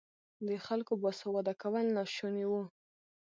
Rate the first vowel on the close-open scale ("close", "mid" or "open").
mid